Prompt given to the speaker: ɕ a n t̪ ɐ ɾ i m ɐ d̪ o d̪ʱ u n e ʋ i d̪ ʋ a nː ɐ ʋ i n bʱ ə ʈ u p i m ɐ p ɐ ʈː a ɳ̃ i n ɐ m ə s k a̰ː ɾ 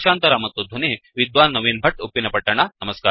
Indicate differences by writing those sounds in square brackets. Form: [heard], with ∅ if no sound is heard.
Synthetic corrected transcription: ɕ a n t̪ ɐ ɾ [a] m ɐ [t̪] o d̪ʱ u n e ʋ i d̪ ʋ a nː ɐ ʋ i n bʱ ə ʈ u p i [n] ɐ p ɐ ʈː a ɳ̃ [a] n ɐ m ə s k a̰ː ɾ